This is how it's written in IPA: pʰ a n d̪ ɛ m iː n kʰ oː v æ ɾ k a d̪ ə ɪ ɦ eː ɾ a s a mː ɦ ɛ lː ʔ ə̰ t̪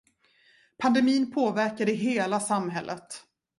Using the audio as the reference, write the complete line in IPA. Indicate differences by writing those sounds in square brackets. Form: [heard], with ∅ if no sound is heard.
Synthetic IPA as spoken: pʰ a n d̪ ɛ m iː n [pʰ] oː v æ ɾ k a d̪ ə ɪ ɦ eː [l] a s a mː ɦ ɛ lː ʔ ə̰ t̪